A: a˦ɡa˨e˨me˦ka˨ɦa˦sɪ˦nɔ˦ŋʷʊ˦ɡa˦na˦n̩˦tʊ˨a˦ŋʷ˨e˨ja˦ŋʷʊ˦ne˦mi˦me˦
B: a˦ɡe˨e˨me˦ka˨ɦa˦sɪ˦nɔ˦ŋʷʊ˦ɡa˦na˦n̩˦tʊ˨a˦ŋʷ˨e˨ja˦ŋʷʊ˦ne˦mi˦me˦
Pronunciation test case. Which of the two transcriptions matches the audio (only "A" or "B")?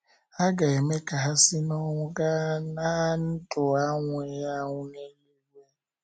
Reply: A